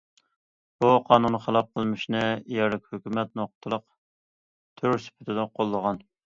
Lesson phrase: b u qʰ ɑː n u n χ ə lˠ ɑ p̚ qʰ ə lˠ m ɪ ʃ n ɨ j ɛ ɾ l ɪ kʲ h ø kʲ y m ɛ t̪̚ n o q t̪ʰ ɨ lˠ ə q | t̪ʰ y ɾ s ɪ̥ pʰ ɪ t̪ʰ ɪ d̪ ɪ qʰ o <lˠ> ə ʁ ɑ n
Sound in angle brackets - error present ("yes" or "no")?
yes